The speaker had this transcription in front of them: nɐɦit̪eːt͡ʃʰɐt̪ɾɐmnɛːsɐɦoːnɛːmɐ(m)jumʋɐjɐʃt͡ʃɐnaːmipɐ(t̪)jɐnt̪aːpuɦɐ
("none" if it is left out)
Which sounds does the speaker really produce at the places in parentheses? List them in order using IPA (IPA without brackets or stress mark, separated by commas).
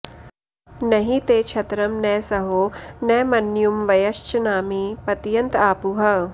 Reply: n, t̪